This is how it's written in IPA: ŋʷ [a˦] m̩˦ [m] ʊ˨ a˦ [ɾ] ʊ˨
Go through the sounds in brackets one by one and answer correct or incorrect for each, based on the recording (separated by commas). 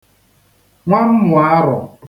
correct, correct, correct